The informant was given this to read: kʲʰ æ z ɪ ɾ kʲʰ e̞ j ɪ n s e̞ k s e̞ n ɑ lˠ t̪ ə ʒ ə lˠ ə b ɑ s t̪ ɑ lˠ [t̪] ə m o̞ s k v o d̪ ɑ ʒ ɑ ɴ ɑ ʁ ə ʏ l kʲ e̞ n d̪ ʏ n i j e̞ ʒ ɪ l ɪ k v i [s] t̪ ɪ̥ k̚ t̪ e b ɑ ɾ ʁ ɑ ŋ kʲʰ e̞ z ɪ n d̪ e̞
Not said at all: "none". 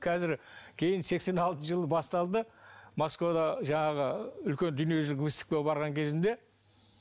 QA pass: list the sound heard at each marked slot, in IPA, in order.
d̪, s

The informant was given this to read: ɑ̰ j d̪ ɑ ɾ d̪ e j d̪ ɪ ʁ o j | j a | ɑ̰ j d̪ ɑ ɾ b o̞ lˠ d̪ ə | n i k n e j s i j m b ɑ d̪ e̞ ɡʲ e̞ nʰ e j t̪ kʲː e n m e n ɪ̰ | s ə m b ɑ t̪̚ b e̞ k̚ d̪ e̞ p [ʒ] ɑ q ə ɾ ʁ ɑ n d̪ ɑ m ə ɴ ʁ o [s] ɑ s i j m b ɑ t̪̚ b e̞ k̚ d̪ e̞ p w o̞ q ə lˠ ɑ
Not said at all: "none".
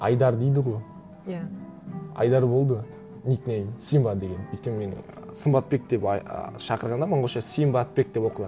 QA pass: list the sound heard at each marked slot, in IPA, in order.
ʃ, ʃ

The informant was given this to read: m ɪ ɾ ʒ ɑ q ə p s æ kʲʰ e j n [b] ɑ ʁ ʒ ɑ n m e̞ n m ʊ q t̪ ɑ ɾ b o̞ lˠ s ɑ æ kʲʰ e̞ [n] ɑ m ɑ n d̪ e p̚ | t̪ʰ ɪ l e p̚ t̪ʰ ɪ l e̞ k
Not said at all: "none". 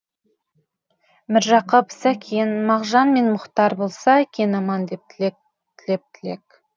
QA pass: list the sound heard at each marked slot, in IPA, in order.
m, n

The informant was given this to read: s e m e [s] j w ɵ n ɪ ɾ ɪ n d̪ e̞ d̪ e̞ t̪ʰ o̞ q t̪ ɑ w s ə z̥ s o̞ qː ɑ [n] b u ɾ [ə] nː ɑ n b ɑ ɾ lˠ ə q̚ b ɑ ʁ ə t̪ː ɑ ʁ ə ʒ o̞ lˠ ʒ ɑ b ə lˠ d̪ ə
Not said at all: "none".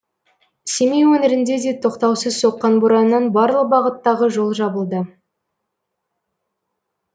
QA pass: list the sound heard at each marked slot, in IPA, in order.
none, n, ɑ

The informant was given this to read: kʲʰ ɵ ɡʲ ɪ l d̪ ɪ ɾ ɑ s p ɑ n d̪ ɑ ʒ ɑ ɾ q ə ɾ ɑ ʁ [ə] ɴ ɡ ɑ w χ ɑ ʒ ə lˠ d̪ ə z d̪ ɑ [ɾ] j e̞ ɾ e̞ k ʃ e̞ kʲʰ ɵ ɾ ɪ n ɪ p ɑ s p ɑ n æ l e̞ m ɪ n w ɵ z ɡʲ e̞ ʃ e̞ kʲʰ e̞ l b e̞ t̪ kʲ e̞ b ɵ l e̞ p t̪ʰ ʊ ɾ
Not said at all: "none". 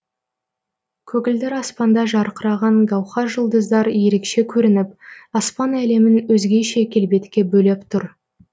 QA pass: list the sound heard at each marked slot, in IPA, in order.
ɑ, ɾ

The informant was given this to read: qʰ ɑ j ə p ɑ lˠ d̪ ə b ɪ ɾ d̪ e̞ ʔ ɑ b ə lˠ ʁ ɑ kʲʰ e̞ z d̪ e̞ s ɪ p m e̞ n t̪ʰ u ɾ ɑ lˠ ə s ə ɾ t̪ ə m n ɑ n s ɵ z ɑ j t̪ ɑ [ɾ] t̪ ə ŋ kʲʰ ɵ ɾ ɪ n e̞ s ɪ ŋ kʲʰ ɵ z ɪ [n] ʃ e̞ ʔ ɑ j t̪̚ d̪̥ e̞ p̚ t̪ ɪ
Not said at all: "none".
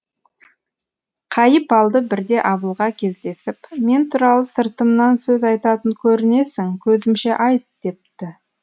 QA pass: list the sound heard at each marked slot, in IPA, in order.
none, m

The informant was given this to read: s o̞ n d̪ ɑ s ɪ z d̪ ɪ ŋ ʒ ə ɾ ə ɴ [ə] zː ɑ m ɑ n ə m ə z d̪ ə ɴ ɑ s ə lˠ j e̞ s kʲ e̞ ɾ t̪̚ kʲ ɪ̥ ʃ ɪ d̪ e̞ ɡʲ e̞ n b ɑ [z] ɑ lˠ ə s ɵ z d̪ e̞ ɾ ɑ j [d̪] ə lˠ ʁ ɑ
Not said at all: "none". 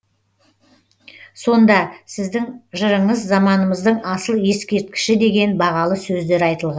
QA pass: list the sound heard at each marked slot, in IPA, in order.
ə, ʁ, t̪

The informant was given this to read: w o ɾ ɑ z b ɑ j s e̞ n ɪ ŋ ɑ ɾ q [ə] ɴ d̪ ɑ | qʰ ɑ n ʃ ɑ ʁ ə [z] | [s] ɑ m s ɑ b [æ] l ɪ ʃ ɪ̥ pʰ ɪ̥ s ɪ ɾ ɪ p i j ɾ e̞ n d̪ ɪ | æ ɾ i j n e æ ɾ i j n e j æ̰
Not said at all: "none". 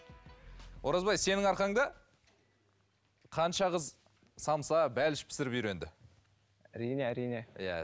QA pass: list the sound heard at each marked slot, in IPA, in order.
ɑ, z, s, æ

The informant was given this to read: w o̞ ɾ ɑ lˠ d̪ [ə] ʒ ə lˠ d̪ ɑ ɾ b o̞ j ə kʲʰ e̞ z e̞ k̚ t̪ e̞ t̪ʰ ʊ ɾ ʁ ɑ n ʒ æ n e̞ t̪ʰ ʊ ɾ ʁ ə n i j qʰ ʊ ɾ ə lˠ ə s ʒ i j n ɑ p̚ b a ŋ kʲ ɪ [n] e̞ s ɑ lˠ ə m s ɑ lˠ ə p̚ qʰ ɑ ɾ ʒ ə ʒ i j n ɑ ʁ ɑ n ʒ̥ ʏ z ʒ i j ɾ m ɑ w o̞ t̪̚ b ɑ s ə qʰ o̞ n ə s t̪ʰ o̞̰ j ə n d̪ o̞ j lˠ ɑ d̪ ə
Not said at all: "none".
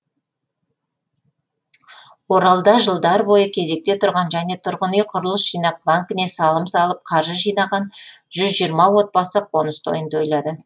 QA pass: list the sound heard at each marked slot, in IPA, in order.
ɑ, n

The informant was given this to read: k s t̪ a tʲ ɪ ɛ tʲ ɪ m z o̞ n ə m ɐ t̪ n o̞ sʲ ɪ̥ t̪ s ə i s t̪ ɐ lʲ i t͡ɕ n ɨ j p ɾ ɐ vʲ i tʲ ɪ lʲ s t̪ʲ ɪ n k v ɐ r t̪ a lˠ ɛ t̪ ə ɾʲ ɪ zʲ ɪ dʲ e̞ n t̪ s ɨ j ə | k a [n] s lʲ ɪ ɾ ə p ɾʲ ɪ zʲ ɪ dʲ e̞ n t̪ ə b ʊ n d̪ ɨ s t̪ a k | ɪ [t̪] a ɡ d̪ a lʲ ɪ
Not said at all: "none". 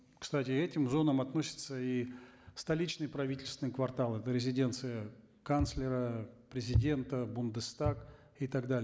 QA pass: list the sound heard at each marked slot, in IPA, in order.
n, t̪

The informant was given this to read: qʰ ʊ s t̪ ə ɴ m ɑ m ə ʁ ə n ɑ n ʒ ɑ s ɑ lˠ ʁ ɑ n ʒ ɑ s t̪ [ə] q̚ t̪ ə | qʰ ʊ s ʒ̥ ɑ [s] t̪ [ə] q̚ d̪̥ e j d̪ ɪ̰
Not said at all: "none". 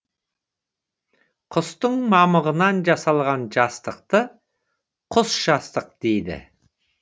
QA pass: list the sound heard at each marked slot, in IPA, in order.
ə, s, ə

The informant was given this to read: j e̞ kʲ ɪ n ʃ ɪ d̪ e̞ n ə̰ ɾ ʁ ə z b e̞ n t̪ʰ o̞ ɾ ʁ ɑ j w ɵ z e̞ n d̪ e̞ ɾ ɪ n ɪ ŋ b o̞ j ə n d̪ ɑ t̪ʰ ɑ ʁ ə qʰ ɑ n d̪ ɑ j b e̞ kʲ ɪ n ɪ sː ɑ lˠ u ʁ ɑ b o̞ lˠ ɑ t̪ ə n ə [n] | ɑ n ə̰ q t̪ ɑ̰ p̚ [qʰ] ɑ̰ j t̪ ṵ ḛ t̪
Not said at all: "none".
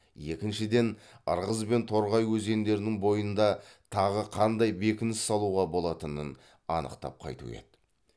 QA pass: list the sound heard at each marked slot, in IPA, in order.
n, qʰ

